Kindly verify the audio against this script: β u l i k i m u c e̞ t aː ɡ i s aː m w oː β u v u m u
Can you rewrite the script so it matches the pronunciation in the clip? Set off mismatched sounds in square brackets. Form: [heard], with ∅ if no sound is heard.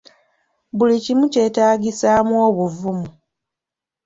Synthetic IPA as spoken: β u l i [c] i m u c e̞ t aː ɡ i s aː m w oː β u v u m u

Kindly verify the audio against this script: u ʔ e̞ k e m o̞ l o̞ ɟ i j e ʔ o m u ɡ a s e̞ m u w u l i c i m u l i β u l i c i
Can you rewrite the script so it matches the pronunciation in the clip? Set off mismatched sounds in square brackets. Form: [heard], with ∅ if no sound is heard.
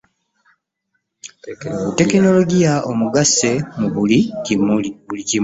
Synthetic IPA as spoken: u [t] e̞ k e [n] o̞ l o̞ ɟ i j [a] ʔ o m u ɡ a s e̞ m u [β] u l i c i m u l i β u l i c i

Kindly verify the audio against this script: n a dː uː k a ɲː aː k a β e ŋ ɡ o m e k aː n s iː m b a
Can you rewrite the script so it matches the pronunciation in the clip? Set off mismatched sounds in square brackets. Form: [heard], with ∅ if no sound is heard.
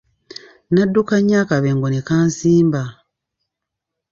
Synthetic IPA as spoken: n a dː [u] k a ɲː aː k a β e ŋ ɡ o [n] e k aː n s iː m b a

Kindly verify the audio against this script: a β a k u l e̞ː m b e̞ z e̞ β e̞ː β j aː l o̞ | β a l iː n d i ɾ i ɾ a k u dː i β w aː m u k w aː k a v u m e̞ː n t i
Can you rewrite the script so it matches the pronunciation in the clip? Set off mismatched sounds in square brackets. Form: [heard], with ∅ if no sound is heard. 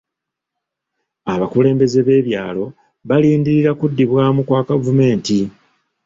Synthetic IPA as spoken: a β a k u l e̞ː m b e̞ z e̞ β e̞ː β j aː l o̞ | β a l iː n d i ɾ i ɾ a k u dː i β w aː m u k w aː k a v u m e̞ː n t i

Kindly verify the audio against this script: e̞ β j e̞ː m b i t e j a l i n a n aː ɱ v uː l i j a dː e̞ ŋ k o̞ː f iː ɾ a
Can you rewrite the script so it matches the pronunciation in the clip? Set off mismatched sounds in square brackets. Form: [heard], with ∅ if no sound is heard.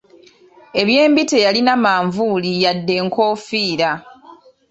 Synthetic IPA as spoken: e̞ β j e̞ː m b i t e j a l i n a [m] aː ɱ v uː l i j a dː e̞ ŋ k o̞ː f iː ɾ a

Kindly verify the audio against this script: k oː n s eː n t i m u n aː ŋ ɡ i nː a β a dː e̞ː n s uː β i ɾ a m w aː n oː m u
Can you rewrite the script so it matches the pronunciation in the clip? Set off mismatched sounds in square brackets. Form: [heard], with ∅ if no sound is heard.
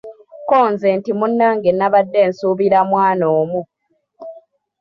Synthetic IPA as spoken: k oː n [z] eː n t i m u [nː] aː ŋ ɡ [e] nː a β a dː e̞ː n s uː β i ɾ a m w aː n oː m u

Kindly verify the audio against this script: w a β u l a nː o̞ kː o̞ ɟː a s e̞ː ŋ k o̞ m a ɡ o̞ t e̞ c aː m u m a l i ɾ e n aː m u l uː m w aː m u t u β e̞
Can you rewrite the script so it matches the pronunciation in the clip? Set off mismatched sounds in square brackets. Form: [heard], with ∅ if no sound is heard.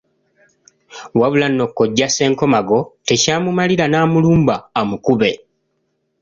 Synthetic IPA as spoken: w a β u l a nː o̞ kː o̞ ɟː a s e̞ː ŋ k o̞ m a ɡ o̞ t e̞ c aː m u m a l i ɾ [a] n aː m u l uː m [b] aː m u [k] u β e̞

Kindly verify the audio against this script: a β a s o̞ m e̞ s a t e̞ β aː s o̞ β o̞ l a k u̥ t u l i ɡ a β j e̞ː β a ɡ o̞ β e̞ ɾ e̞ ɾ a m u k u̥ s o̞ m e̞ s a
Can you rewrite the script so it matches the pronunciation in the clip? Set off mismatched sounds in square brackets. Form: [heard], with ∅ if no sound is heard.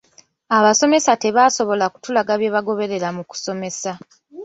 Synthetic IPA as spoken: a β a s o̞ m e̞ s a t e̞ β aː s o̞ β o̞ l a k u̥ t u l [a] ɡ a β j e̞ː β a ɡ o̞ β e̞ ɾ e̞ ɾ a m u k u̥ s o̞ m e̞ s a

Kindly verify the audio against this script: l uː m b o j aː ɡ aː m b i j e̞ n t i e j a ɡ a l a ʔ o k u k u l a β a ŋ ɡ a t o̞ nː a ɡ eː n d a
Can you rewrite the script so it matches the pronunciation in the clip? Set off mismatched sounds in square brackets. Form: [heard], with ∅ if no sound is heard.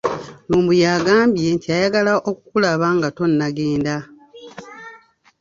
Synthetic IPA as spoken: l uː m b [u] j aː ɡ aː m b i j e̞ n t i [a] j a ɡ a l a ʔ o k u k u l a β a ŋ ɡ a t o̞ nː a ɡ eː n d a

